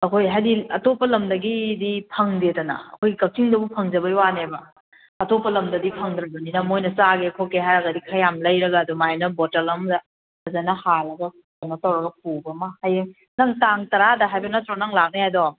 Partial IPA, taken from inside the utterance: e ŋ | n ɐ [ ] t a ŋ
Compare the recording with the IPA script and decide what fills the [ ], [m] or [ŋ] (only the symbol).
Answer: ŋ